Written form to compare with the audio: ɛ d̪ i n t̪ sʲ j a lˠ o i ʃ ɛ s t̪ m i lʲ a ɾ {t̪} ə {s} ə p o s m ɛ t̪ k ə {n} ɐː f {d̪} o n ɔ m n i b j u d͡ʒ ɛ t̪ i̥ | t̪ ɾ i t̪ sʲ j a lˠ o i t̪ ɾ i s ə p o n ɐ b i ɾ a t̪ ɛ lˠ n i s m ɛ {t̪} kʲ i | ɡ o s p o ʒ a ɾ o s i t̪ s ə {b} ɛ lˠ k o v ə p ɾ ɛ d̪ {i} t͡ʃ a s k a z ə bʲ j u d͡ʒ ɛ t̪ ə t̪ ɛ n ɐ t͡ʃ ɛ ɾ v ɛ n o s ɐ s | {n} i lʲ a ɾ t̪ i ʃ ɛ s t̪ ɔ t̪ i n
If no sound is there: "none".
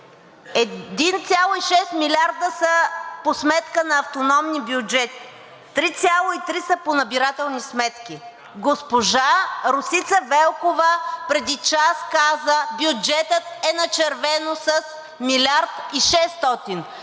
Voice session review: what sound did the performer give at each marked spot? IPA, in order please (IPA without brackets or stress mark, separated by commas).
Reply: d̪, s, n, t̪, t̪, v, i, m